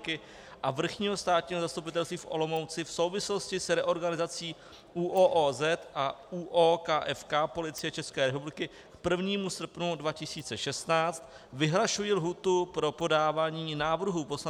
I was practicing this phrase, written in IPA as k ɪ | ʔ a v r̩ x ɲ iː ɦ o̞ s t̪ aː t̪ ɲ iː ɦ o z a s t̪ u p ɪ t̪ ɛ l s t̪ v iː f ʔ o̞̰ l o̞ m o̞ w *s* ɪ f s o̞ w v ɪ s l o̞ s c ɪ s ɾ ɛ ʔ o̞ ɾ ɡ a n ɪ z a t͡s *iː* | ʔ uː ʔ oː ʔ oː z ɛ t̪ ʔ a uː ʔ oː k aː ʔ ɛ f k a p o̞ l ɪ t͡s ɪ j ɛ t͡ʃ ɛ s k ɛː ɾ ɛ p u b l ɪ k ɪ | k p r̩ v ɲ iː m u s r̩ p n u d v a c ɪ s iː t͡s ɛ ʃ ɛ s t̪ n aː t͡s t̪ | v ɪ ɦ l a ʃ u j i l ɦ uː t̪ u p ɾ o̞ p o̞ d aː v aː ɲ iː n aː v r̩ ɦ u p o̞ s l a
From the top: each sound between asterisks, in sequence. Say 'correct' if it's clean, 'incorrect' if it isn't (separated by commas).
incorrect, correct